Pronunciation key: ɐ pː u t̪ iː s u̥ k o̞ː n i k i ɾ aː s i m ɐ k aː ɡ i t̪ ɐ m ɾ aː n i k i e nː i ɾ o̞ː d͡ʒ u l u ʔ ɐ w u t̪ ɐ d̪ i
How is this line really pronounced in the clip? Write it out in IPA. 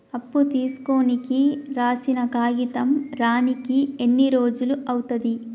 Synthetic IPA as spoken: ɐ pː u t̪ iː s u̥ k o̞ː n i k i ɾ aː s i n ɐ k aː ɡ i t̪ ɐ m ɾ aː n i k i e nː i ɾ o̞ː d͡ʒ u l u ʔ ɐ w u t̪ ɐ d̪ i

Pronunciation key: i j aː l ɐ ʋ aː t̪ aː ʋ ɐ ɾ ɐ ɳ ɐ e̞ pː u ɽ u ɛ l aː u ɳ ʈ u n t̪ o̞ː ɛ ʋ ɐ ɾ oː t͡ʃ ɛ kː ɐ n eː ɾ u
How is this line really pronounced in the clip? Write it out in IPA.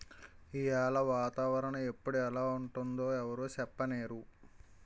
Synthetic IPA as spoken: i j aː l ɐ ʋ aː t̪ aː ʋ ɐ ɾ ɐ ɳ ɐ e̞ pː u ɽ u ɛ l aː u ɳ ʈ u n d̪ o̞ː ɛ ʋ ɐ ɾ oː t͡ʃ ɛ pː ɐ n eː ɾ u

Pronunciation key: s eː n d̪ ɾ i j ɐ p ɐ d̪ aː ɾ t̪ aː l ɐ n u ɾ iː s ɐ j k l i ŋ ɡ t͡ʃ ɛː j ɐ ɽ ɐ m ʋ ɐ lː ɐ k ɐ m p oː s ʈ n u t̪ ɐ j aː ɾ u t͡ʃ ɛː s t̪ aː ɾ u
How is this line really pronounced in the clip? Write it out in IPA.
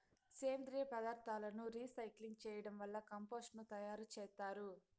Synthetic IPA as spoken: s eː n d̪ ɾ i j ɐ p ɐ d̪ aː ɾ t̪ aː l ɐ n u ɾ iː s ɐ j k l i ŋ ɡ t͡ʃ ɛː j ɐ ɽ ɐ m ʋ ɐ lː ɐ k ɐ m p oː s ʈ n u t̪ ɐ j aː ɾ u t͡ʃ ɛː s t̪ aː ɾ u

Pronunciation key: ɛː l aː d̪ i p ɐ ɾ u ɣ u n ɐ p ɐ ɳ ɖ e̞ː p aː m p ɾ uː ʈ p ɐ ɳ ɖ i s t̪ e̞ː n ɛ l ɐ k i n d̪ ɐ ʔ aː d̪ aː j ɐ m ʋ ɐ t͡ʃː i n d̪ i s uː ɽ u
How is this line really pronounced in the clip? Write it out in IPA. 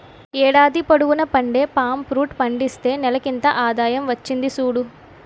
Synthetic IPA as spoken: ɛː ɽ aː d̪ i p ɐ ɽ u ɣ u n ɐ p ɐ ɳ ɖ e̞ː p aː m p ɾ uː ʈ p ɐ ɳ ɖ i s t̪ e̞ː n ɛ l ɐ k i n t̪ ɐ ʔ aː d̪ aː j ɐ m ʋ ɐ t͡ʃː i n d̪ i s uː ɽ u

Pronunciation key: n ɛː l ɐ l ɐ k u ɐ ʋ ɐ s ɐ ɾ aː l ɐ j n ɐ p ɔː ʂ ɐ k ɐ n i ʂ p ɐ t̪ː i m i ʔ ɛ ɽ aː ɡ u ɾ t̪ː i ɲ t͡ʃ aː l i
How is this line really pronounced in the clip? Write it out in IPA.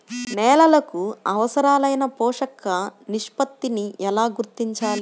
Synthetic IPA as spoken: n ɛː l ɐ l ɐ k u ɐ ʋ ɐ s ɐ ɾ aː l ɐ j n ɐ p ɔː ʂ ɐ k ɐ n i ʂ p ɐ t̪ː i n i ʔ ɛ l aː ɡ u ɾ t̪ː i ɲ t͡ʃ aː l i

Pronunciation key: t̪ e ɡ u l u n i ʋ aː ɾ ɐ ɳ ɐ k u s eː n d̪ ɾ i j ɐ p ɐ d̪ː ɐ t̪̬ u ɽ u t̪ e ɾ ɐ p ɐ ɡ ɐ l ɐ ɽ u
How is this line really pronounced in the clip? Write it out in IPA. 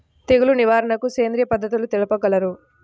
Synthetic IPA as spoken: t̪ e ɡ u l u n i ʋ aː ɾ ɐ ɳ ɐ k u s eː n d̪ ɾ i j ɐ p ɐ d̪ː ɐ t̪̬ u l u t̪ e l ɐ p ɐ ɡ ɐ l ɐ ɾ u

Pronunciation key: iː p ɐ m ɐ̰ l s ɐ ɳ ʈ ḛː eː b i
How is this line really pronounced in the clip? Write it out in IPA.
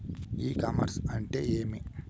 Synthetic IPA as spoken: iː k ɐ m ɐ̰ ɾ s ɐ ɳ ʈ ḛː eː m i

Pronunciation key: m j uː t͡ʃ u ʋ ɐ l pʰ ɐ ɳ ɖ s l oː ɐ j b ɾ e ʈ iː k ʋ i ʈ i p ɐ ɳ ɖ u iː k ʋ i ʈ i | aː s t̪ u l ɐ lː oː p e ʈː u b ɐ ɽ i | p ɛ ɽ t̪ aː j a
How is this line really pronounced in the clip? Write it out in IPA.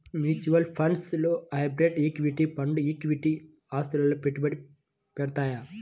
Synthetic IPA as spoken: m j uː t͡ʃ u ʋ ɐ l pʰ ɐ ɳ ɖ s l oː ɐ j b ɾ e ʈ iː k ʋ i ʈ i p ɐ ɳ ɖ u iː k ʋ i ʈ i | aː s t̪ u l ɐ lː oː p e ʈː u b ɐ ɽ i | p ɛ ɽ t̪ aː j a

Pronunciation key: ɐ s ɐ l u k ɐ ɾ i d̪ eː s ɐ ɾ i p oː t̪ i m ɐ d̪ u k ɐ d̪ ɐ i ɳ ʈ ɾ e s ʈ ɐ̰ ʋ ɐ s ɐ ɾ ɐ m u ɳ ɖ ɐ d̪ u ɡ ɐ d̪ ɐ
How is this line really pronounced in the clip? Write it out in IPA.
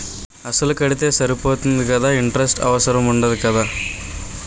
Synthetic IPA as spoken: ɐ s ɐ l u k ɐ ɽ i t̪ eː s ɐ ɾ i p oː t̪ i n ɐ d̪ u k ɐ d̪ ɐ i ɳ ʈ ɾ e s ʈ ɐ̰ ʋ ɐ s ɐ ɾ ɐ m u ɳ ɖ ɐ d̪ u k ɐ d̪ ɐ

